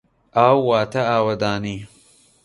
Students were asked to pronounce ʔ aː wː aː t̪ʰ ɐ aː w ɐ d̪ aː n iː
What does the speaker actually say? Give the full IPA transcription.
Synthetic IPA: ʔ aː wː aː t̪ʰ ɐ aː w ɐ d̪ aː n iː